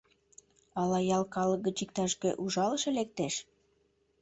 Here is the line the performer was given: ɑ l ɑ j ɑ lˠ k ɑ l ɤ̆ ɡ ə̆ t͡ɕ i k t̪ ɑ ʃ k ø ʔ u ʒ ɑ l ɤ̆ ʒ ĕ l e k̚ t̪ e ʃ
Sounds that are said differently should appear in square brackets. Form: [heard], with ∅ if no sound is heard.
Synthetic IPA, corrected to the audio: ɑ l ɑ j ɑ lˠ k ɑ l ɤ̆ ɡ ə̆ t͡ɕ i k t̪ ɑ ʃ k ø ʔ u ʒ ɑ l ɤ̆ [ʃ] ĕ l e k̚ t̪ e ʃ